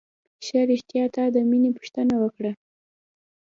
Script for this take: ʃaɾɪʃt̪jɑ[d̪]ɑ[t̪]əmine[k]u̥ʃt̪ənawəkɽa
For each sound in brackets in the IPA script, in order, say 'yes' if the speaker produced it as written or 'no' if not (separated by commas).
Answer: no, no, no